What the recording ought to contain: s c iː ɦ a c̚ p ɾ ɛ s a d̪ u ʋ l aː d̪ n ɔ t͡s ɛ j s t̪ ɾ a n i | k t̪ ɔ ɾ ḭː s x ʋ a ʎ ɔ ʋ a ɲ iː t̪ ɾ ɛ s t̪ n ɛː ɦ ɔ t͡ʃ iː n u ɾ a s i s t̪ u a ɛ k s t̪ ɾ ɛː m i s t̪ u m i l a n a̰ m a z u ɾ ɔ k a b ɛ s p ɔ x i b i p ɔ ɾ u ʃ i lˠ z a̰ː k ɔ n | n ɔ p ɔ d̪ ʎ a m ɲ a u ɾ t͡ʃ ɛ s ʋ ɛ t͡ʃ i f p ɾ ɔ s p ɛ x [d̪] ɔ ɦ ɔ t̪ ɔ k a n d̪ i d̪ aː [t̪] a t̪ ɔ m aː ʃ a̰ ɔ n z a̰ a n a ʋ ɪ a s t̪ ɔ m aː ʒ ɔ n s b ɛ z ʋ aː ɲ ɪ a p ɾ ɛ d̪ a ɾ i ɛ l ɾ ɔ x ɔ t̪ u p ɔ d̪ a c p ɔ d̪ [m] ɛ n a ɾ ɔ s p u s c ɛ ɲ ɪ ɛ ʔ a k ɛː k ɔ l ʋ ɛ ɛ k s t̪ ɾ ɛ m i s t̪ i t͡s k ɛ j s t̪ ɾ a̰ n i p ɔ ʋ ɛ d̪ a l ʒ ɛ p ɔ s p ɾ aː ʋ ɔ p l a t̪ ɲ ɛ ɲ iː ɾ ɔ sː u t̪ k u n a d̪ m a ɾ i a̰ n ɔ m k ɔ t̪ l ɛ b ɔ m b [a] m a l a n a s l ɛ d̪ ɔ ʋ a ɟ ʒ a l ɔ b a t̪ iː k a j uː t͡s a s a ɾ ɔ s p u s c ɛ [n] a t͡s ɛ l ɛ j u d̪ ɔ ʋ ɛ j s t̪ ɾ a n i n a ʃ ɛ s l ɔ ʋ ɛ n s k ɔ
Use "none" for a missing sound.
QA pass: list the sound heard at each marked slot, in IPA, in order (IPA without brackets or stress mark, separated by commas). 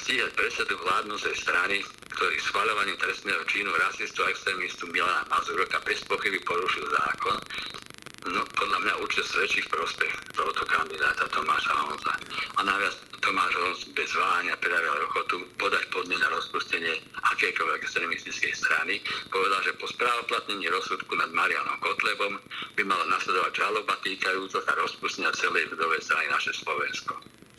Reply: t̪, t̪, ɲ, i, ɲ